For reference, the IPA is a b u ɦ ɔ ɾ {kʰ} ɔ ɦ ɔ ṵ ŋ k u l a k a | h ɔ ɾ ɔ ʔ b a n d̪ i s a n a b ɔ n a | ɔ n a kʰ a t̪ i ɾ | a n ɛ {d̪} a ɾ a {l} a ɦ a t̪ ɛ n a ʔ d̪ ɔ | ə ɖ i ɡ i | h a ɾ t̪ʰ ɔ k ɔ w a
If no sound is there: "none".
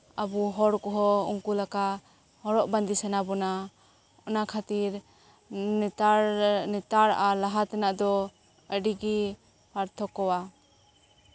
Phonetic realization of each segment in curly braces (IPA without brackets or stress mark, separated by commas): k, t̪, l